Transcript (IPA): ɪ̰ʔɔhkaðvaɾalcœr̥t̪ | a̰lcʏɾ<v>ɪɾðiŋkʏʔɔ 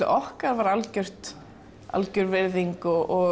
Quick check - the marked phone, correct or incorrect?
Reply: correct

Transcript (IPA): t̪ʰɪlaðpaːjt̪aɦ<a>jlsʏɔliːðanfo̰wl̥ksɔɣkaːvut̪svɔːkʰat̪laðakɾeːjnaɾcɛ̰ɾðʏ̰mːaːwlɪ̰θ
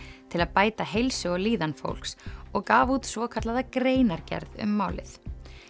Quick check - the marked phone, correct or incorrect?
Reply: incorrect: e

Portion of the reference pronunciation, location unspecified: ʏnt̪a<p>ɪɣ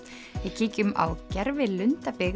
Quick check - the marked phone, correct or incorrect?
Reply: correct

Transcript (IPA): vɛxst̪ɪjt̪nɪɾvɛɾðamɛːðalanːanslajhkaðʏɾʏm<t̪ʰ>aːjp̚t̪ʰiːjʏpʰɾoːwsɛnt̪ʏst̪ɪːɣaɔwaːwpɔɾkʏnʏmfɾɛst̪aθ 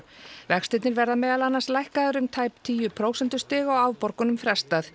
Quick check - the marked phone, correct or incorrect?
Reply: correct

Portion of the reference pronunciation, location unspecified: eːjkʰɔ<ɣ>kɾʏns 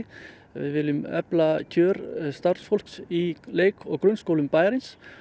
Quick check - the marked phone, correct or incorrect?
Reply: correct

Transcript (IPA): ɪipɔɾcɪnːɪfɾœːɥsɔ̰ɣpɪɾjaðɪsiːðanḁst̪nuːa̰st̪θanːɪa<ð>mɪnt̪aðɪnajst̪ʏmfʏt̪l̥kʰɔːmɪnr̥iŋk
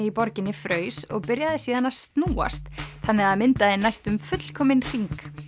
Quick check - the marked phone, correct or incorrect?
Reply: correct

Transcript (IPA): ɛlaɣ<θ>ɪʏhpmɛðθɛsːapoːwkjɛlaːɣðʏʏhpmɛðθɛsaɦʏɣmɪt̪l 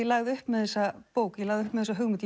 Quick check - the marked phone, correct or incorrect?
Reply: incorrect: ð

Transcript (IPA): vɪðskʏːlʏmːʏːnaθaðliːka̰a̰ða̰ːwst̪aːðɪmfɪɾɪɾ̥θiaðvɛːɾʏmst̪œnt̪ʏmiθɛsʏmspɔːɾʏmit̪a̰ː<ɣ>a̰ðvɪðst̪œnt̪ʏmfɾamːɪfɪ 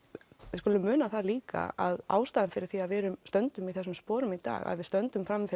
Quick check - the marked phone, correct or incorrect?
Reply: correct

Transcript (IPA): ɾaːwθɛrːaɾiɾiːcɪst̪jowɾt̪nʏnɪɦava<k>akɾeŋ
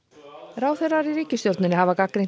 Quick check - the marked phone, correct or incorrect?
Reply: correct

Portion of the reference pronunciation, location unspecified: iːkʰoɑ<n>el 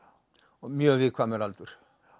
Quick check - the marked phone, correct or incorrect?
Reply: incorrect: m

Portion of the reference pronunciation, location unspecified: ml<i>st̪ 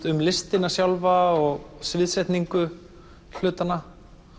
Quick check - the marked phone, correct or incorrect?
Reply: incorrect: ɪ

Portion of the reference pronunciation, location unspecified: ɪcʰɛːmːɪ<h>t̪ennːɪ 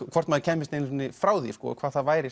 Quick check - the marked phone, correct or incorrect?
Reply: incorrect: s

